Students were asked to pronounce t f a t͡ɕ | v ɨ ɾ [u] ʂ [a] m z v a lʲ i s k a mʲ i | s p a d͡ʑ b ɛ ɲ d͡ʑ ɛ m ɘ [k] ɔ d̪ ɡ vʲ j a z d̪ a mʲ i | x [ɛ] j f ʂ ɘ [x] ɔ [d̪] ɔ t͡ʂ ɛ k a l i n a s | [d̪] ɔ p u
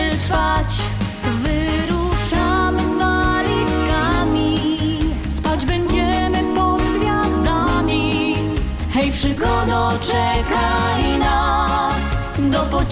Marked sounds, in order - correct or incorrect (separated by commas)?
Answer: correct, correct, incorrect, correct, incorrect, correct, correct